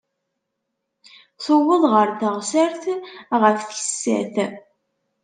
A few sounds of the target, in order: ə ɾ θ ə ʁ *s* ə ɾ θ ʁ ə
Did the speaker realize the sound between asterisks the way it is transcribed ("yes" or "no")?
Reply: yes